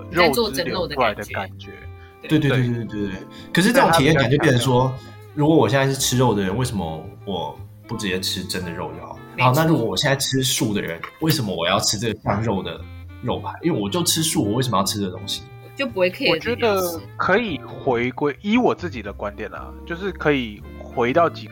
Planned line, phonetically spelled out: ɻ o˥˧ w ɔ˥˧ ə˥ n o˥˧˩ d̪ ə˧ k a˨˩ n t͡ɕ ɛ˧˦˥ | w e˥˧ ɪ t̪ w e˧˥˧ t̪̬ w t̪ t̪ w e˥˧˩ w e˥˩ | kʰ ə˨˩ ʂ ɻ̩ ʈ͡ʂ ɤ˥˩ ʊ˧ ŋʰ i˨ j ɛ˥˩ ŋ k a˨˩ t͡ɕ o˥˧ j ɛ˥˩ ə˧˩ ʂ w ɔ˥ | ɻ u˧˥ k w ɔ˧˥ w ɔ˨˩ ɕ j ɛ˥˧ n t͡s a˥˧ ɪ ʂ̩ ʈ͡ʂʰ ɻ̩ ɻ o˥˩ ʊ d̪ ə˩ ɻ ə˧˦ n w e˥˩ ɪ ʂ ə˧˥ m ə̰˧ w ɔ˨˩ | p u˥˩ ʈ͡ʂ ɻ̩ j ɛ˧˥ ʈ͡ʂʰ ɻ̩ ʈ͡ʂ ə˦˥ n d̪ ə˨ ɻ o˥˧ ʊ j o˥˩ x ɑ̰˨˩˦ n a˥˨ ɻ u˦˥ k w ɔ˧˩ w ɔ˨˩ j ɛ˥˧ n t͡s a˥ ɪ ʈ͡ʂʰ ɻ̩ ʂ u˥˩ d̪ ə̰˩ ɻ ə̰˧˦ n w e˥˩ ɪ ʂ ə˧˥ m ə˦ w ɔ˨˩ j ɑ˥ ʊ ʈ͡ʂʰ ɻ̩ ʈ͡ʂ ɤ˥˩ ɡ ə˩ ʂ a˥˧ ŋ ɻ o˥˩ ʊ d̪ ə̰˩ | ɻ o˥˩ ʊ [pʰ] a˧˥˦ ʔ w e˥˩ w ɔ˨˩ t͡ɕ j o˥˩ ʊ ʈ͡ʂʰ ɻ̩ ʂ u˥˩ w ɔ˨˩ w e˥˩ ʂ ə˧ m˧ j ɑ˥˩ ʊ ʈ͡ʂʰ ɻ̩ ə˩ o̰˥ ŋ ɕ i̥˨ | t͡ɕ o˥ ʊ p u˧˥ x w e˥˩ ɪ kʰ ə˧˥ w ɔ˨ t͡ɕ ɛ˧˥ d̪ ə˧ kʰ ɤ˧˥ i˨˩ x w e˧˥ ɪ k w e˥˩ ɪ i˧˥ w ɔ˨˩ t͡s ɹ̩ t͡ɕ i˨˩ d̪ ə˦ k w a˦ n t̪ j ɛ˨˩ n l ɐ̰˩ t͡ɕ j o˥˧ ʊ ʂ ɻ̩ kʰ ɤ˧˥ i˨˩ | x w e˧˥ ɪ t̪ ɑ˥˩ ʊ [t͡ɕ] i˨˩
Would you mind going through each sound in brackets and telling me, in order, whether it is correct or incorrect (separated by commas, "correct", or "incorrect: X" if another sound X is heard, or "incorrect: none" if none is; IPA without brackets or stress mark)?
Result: correct, correct